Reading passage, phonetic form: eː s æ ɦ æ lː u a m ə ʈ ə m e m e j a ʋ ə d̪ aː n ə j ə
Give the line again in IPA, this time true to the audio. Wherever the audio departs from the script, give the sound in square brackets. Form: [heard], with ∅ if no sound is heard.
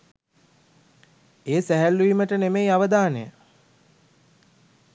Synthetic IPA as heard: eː s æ ɦ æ lː u [i] m ə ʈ ə [n] e m e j a ʋ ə d̪ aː n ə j ə